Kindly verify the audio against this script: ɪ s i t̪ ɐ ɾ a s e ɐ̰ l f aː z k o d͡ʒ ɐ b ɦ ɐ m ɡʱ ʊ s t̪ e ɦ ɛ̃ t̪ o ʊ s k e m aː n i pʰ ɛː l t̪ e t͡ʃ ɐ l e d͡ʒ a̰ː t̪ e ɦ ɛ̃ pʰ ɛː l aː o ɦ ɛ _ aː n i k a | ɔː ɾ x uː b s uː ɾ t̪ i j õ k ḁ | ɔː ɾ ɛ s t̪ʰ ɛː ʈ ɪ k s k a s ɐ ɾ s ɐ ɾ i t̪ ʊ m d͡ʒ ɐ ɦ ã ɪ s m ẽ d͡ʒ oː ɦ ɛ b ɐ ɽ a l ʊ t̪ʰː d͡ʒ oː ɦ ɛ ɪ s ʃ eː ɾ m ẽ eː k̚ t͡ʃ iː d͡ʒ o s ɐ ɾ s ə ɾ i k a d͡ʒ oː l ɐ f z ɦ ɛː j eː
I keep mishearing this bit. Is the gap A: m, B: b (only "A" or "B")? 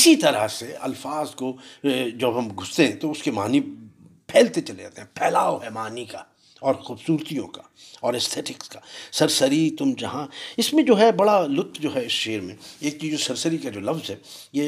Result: A